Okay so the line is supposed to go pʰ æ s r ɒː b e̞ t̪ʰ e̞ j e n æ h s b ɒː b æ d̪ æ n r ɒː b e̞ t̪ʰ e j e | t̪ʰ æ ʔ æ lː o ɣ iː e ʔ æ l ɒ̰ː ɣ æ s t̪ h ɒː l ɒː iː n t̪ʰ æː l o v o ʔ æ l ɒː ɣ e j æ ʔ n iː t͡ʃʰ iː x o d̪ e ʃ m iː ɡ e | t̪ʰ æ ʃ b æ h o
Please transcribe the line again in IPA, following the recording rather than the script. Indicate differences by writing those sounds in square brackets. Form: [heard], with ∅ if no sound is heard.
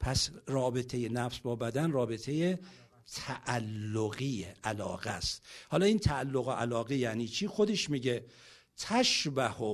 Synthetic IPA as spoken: pʰ æ s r ɒː b e̞ t̪ʰ e̞ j e n æ [f] s b ɒː b æ d̪ æ n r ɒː b e̞ t̪ʰ e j e | t̪ʰ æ ʔ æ lː o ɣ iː e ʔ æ l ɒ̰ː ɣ æ s t̪ h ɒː l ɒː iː n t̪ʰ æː [lː] o [ɣ] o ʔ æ l ɒː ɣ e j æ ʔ n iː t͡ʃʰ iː x o d̪ e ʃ m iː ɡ e | t̪ʰ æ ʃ b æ h o